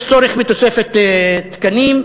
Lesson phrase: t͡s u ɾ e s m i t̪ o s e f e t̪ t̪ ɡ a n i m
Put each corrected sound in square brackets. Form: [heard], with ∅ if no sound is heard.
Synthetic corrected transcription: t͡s [o] ɾ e [χ] m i t̪ o s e f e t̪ t̪ [k] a n i m